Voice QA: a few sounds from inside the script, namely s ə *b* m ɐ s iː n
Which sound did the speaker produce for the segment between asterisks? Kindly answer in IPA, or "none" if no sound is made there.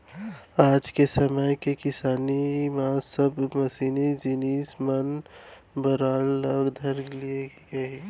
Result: b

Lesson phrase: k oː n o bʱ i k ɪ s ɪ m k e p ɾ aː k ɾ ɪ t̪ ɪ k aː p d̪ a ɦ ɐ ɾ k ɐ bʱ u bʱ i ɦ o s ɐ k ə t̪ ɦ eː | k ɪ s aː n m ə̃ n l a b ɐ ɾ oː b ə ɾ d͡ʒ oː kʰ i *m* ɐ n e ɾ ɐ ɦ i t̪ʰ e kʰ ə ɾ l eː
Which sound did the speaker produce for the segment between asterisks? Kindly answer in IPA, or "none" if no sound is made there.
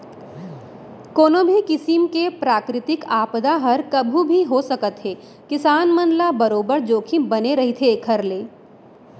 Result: b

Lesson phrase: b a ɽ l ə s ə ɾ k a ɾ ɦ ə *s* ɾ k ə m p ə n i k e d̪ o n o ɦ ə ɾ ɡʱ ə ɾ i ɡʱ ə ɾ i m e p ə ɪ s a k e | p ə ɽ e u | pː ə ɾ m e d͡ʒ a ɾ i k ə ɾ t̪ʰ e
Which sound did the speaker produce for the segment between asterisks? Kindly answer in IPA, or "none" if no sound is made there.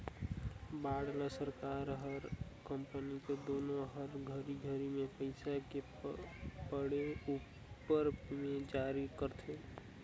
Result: none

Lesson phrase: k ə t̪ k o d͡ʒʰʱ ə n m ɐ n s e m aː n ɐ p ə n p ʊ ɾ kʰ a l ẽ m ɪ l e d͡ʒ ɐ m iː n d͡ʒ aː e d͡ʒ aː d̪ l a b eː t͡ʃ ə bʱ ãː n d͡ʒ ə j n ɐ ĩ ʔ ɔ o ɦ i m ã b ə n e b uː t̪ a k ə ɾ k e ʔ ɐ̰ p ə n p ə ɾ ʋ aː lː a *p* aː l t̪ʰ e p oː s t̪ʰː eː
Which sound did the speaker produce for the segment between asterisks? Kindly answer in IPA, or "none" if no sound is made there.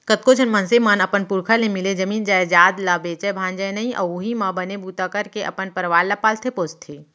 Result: p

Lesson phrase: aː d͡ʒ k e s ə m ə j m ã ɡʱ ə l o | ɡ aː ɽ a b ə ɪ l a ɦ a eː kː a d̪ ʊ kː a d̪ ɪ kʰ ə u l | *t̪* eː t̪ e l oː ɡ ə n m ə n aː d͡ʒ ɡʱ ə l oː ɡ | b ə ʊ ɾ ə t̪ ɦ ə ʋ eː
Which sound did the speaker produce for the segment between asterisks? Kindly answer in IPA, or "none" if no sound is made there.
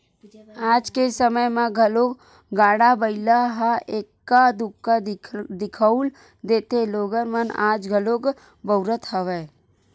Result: d̪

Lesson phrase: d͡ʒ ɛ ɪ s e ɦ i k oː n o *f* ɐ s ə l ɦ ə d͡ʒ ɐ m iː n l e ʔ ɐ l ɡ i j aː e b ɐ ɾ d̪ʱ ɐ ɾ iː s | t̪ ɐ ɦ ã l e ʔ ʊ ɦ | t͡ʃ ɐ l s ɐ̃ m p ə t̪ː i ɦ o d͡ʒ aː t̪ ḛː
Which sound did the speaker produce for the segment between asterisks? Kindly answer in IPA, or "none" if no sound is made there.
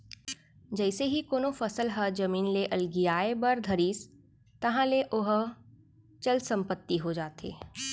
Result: f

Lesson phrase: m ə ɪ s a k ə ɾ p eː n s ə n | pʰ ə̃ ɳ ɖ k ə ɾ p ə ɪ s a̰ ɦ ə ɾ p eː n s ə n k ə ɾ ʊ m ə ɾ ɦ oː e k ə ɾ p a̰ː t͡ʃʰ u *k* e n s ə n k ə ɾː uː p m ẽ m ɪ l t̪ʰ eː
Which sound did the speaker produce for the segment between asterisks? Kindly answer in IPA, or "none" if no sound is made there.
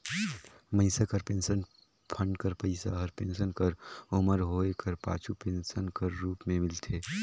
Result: p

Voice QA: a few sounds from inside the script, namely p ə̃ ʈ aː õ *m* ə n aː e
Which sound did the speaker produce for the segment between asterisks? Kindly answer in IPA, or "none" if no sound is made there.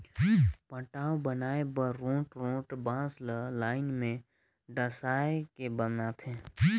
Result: b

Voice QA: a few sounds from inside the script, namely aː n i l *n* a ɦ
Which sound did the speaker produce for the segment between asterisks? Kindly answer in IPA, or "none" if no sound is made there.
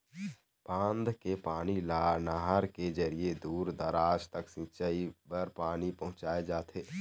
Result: n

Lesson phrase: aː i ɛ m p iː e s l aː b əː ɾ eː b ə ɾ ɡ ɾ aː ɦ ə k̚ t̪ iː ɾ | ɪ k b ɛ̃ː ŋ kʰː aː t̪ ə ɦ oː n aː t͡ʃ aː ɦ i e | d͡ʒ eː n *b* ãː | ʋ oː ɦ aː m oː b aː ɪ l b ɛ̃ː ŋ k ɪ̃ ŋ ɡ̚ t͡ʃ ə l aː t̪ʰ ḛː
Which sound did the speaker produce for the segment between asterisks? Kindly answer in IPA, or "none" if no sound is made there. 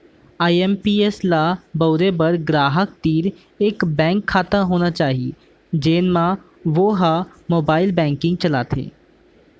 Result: m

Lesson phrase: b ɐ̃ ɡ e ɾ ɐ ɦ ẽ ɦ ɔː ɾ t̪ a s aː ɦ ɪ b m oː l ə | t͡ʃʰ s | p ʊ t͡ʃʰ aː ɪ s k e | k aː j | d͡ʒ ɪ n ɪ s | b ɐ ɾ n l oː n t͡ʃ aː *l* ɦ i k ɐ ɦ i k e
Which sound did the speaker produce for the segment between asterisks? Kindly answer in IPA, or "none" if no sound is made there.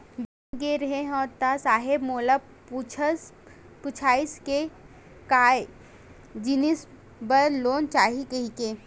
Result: none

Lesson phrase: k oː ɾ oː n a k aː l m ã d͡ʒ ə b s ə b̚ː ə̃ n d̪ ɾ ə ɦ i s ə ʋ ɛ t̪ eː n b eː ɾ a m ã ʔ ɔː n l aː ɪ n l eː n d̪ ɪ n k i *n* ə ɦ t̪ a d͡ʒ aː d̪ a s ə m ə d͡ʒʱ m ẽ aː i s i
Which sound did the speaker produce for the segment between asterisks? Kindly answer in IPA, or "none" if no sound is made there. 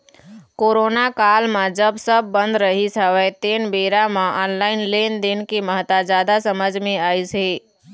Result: m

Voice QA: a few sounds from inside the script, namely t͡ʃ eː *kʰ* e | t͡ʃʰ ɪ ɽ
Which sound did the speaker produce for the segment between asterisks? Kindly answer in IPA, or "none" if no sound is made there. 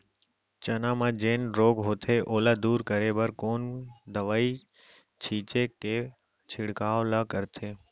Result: k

